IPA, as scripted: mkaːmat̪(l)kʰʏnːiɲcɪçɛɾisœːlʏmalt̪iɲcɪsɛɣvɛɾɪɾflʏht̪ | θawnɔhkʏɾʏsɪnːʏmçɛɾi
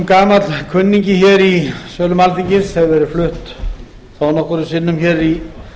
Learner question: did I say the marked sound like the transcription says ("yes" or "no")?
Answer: yes